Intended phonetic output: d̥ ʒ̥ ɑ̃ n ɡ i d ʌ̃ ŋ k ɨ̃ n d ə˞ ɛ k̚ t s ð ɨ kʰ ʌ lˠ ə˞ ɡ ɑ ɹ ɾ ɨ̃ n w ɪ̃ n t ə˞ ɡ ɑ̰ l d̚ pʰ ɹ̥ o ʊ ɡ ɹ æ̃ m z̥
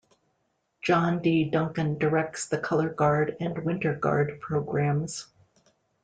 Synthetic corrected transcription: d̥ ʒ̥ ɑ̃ n d i d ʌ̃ ŋ k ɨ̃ n d ə˞ ɛ k̚ t s ð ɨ kʰ ʌ lˠ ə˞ ɡ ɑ ɹ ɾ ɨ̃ n w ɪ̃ n t ə˞ ɡ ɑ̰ ɹ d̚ pʰ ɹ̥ o ʊ ɡ ɹ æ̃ m z̥